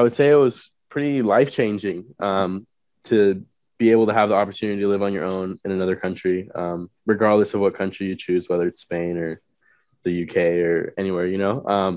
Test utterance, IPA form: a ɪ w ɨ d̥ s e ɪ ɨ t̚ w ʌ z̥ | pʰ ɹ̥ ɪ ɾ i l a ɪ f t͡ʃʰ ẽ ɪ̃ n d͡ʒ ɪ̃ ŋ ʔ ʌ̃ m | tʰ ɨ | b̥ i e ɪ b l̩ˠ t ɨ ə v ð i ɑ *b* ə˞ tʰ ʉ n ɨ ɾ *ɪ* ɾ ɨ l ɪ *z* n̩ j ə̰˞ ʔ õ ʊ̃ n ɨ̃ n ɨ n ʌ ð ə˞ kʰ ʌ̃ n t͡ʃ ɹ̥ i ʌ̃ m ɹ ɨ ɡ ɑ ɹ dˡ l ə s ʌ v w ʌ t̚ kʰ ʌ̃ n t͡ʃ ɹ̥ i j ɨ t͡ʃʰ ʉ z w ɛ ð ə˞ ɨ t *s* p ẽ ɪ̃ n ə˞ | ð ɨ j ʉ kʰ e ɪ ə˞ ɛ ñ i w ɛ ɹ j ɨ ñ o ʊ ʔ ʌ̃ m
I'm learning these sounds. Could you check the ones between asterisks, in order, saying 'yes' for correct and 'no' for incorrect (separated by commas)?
no, no, no, yes